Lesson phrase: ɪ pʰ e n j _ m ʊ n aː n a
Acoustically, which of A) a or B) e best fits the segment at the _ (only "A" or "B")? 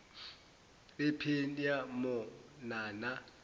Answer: A